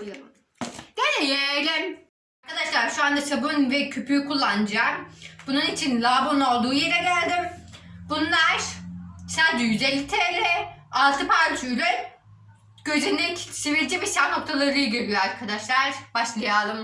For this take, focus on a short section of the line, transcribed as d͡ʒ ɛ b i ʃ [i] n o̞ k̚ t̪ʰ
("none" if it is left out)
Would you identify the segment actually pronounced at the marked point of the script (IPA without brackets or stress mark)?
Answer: a